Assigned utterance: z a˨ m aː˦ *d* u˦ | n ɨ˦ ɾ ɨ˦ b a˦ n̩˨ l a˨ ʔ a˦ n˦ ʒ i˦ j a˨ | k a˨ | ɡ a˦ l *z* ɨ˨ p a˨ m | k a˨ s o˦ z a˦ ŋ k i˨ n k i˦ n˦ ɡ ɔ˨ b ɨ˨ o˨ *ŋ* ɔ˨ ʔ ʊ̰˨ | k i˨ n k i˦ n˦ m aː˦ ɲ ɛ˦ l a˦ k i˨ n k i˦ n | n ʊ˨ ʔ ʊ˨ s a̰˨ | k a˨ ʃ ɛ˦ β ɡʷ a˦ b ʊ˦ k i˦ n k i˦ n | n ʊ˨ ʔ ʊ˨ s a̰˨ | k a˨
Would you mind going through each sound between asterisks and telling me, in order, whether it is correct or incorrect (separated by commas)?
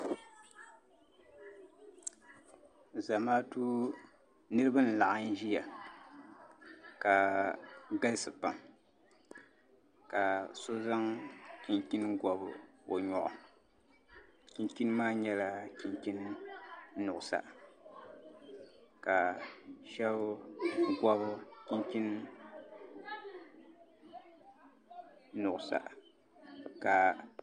incorrect, incorrect, incorrect